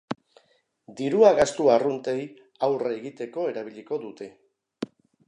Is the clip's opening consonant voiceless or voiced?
voiced